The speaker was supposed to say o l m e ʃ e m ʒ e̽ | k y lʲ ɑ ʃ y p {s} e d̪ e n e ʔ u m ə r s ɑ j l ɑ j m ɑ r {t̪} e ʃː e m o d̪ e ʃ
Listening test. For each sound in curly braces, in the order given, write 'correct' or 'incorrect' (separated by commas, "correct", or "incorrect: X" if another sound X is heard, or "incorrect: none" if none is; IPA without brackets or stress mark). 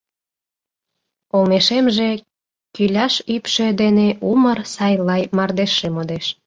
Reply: incorrect: ʃ, incorrect: d̪